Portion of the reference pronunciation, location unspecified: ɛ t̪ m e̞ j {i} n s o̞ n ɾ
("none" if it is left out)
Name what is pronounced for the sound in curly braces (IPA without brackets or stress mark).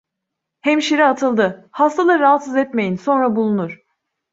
i